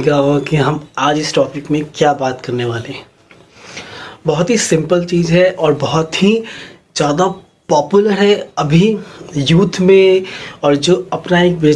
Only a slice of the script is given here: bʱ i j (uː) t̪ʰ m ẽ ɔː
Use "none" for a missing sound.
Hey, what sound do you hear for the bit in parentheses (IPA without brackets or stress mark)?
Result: uː